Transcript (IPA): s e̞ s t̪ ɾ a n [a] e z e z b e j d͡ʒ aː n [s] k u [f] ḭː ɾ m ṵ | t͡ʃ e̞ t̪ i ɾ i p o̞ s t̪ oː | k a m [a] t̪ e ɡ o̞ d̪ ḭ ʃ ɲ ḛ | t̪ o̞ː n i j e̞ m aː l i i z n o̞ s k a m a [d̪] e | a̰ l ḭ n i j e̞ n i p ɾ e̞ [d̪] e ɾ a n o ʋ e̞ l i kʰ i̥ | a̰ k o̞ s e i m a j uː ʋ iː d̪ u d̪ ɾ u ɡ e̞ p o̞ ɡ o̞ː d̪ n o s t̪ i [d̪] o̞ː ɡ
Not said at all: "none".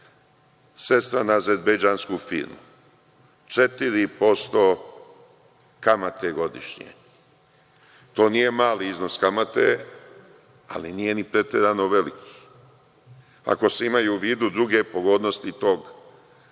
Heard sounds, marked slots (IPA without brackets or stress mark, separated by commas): a, s, f, a, t̪, t̪, t̪